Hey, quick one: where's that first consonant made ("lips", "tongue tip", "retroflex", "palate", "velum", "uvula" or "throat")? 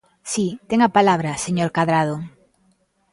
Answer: tongue tip